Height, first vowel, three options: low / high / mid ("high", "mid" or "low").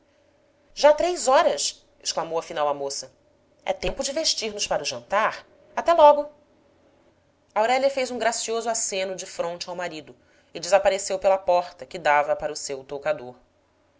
low